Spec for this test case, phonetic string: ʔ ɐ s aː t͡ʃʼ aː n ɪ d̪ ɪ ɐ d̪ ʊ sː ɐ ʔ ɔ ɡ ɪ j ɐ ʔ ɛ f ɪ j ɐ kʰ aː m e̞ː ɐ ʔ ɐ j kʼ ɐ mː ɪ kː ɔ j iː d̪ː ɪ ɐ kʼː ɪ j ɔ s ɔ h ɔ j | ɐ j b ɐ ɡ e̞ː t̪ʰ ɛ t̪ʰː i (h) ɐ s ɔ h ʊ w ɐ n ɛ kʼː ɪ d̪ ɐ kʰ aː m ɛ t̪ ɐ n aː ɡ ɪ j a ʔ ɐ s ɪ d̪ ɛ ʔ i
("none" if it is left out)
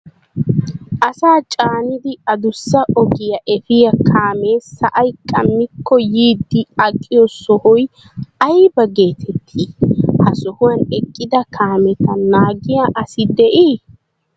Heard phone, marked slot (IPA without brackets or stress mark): h